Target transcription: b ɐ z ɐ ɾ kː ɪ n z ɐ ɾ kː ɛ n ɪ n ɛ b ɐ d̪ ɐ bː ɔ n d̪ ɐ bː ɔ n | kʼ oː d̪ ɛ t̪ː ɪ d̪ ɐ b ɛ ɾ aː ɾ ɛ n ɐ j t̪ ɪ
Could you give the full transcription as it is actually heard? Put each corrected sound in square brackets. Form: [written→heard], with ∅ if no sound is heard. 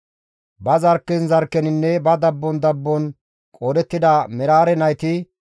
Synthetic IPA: b ɐ z ɐ ɾ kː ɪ n z ɐ ɾ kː ɛ n ɪ [n→nː] ɛ b ɐ d̪ ɐ bː ɔ n d̪ ɐ bː ɔ n | kʼ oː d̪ ɛ t̪ː ɪ d̪ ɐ [b→m] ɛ ɾ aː ɾ ɛ n ɐ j t̪ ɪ